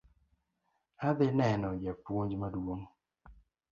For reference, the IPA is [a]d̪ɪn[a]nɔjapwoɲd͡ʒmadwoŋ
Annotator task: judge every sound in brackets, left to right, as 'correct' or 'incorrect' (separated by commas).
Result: correct, incorrect